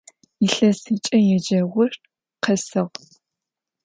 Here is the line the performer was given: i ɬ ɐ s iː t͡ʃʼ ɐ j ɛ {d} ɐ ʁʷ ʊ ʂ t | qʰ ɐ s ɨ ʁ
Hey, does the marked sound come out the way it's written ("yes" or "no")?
no